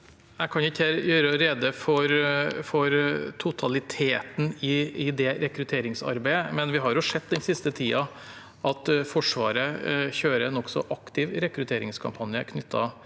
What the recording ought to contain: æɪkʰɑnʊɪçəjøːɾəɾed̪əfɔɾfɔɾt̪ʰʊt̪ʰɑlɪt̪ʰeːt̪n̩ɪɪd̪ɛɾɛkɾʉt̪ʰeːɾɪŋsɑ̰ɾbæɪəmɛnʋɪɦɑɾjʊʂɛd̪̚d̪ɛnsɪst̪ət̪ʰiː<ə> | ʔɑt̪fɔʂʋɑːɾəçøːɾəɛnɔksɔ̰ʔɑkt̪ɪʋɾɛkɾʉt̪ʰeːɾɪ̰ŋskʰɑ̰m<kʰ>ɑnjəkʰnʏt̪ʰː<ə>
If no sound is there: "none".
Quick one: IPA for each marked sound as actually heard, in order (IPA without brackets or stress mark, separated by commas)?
ɑ, pʰ, ɑ